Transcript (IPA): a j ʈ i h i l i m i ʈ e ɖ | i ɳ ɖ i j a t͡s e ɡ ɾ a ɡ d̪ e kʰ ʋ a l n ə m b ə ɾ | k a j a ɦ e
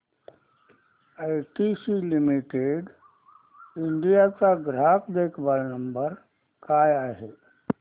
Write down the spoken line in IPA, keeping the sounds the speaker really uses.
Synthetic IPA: a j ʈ i s i l i m i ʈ e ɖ | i ɳ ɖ i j a t͡s a ɡ ɾ a k d̪ e kʰ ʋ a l n ə m b ə ɾ | k a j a ɦ e